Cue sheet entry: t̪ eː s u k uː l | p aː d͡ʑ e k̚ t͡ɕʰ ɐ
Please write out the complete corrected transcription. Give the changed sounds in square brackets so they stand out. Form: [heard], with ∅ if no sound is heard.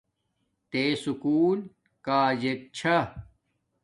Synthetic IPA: t̪ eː s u k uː l | [k] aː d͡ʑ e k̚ t͡ɕʰ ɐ